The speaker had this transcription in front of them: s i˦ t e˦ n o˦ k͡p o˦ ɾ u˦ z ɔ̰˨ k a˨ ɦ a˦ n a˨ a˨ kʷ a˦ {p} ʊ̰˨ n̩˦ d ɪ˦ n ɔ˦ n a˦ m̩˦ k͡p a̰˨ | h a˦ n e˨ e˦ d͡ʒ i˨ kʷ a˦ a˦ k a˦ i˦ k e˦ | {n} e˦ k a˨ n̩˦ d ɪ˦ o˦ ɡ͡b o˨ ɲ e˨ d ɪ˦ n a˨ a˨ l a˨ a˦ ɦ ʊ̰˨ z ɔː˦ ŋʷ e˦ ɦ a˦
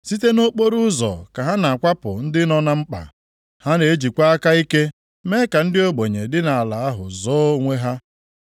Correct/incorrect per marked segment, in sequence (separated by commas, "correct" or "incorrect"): correct, incorrect